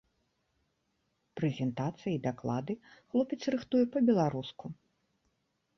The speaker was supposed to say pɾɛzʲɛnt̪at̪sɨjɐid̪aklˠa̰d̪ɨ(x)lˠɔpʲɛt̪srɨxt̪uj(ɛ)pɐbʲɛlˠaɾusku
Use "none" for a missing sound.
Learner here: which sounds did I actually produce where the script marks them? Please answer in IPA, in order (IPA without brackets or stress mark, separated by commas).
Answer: x, ɛ